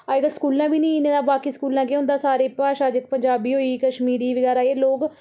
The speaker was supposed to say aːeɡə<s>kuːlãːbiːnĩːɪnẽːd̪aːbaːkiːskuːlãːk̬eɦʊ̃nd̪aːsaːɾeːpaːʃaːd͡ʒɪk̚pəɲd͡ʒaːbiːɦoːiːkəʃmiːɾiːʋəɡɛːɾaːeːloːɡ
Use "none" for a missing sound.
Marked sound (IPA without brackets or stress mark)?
s